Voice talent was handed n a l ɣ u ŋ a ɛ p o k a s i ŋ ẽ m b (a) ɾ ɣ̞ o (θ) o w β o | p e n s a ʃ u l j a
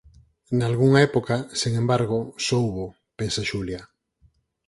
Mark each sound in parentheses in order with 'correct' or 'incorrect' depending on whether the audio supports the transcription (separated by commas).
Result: correct, incorrect